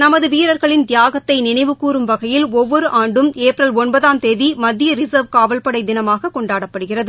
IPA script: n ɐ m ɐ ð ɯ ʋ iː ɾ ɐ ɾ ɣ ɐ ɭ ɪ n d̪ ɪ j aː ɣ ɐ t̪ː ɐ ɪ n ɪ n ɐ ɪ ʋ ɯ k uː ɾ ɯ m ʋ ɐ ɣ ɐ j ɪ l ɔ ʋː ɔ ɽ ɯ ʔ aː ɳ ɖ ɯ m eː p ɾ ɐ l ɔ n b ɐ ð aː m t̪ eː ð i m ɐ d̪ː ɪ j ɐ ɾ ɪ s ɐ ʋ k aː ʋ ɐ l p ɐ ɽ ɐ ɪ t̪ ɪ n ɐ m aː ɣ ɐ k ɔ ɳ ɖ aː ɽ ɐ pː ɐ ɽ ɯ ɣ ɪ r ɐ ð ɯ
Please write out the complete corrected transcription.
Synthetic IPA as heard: n ɐ m ɐ ð ɯ ʋ iː ɾ ɐ ɾ ɣ ɐ ɭ ɪ n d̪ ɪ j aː ɣ ɐ t̪ː ɐ ɪ n ɪ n ɐ ɪ ʋ ɯ k uː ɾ ɯ m ʋ ɐ ɣ ɐ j ɪ l ɔ ʋː ɔ ɾ ɯ ʔ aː ɳ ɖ ɯ m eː p ɾ ɐ l ɔ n b ɐ ð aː m t̪ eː ð i m ɐ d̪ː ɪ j ɐ ɾ ɪ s ɐ ʋ k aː ʋ ɐ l p ɐ ɽ ɐ ɪ d̪ ɪ n ɐ m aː ɣ ɐ k ɔ ɳ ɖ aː ɽ ɐ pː ɐ ɽ ɯ ɣ ɪ r ɐ ð ɯ